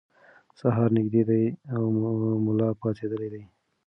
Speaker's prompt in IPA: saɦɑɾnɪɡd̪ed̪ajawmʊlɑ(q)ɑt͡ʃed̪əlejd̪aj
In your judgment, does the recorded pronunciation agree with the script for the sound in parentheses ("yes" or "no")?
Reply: no